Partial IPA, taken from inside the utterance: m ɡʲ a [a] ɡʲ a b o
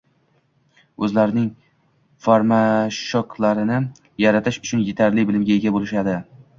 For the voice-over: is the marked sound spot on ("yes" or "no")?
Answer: no